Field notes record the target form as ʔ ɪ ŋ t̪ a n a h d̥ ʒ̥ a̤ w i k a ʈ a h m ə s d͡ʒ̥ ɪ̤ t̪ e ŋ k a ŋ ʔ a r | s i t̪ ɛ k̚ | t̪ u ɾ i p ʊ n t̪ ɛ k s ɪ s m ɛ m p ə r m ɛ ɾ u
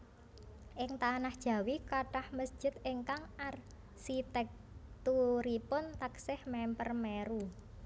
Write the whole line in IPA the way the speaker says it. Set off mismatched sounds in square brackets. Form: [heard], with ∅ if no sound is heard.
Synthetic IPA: ʔ ɪ ŋ t̪ a n a h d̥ ʒ̥ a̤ w i k a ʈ a h m ə s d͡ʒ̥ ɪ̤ t̪ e ŋ k a ŋ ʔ a r | s i t̪ ɛ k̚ | t̪ u ɾ i p ʊ n t̪ [a] k s ɪ [h] m ɛ m p ə r m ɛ ɾ u

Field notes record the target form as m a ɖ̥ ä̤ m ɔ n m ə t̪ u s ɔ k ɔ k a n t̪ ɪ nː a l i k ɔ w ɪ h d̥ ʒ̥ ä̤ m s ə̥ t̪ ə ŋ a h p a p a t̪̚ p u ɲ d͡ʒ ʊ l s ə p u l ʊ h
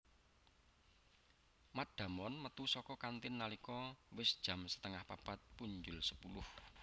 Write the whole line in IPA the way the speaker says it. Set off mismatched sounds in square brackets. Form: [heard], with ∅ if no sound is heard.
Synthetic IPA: m a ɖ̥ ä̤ m ɔ n m ə t̪ u s ɔ k ɔ k a n t̪ ɪ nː a l i k ɔ w ɪ [s] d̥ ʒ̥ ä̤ m s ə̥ t̪ ə ŋ a h p a p a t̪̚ p u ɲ d͡ʒ ʊ l s ə p u l ʊ h

